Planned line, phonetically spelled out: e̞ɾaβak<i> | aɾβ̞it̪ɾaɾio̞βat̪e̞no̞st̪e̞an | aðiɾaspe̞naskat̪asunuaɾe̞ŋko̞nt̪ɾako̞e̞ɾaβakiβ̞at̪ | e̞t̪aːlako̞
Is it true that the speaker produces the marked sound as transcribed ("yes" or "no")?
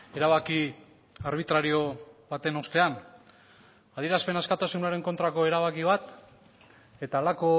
yes